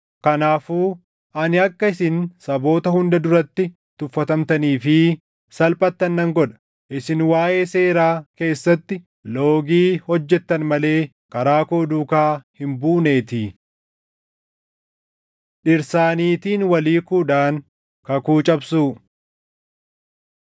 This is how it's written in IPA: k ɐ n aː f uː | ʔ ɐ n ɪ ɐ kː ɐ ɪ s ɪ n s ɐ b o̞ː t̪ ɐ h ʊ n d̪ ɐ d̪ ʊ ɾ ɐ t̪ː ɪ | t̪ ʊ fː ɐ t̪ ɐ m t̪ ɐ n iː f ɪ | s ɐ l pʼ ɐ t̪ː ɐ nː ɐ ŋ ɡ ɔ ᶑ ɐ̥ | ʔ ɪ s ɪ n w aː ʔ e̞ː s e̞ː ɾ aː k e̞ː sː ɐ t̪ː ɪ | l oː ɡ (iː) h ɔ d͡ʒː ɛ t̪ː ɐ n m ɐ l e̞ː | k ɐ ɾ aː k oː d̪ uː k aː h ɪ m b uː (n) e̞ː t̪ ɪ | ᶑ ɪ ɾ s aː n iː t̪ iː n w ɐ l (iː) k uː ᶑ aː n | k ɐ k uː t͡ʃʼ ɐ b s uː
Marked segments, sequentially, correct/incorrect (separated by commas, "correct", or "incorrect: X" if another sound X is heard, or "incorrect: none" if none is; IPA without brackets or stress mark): correct, correct, correct